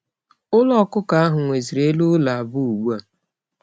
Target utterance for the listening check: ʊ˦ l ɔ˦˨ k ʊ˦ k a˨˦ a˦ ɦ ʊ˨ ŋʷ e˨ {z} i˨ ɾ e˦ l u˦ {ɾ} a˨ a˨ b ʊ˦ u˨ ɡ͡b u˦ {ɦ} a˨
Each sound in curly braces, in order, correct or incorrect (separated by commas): correct, incorrect, incorrect